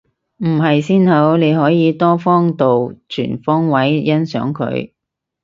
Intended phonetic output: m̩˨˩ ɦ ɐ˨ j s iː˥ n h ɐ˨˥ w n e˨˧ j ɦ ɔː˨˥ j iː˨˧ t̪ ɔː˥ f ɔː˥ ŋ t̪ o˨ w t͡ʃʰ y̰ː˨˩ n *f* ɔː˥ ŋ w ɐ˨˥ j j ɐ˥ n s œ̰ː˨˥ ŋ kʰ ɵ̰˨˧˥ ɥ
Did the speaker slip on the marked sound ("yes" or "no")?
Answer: no